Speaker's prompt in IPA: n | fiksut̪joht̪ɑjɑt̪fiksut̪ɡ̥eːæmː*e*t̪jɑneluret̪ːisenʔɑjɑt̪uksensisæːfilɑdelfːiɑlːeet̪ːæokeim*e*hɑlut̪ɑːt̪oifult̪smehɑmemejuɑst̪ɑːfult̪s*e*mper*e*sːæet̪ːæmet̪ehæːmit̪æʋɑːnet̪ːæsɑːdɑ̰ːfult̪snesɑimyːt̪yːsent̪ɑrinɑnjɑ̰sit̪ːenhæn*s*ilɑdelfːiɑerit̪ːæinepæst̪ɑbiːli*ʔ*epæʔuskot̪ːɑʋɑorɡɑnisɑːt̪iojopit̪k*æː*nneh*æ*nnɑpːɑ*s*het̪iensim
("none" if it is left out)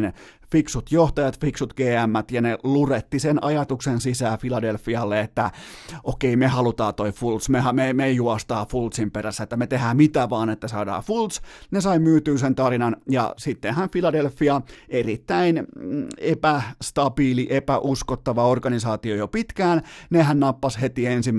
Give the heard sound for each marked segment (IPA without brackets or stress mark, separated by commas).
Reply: æ, e, i, æ, f, ʔ, æː, æ, s